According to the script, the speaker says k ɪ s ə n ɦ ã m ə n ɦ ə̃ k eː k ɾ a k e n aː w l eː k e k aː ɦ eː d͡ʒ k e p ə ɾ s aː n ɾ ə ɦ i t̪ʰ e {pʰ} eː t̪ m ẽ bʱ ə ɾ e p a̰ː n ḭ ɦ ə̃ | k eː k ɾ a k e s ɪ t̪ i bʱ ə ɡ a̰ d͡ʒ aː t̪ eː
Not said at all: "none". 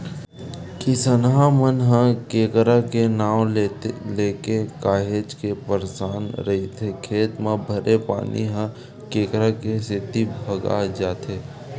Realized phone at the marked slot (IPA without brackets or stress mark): kʰ